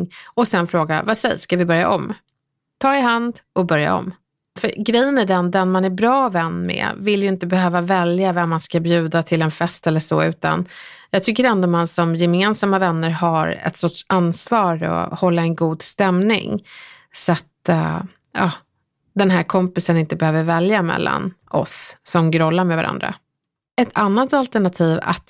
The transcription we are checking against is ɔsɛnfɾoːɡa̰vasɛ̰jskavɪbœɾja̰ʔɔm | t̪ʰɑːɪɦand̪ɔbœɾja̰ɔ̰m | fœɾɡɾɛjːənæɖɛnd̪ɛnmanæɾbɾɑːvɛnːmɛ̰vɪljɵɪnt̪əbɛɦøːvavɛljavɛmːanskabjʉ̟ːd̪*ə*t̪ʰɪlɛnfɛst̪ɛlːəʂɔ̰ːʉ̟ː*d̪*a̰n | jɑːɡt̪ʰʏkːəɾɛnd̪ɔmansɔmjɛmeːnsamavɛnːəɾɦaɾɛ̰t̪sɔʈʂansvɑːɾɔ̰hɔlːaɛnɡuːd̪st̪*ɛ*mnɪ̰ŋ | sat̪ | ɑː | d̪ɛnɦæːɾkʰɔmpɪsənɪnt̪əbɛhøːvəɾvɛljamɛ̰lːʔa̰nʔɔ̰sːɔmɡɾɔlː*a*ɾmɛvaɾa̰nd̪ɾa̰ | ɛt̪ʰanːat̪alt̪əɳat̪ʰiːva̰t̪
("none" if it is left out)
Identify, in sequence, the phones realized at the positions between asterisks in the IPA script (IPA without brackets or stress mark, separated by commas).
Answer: a, t̪, ɛ, a